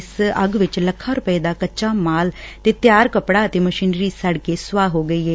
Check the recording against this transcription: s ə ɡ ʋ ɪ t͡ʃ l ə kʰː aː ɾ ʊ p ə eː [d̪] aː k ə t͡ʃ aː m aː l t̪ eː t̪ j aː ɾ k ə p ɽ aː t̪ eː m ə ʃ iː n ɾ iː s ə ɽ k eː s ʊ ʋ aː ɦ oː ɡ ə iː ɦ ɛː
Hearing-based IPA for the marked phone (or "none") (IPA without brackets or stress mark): d̪